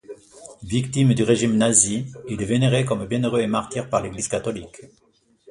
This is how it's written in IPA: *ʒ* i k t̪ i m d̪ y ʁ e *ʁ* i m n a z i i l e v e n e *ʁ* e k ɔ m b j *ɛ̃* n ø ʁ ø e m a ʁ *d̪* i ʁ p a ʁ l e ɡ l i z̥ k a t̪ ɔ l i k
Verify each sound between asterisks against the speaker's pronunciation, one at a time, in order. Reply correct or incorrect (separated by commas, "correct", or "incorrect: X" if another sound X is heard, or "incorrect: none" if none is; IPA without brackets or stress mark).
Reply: incorrect: v, incorrect: ʒ, correct, correct, incorrect: t̪